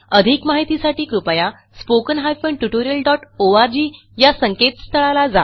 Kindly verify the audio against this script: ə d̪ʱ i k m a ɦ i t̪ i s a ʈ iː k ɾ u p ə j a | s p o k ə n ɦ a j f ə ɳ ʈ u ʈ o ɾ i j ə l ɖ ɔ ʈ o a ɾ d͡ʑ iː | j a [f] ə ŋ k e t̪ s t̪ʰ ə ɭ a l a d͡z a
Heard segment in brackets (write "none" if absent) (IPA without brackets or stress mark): s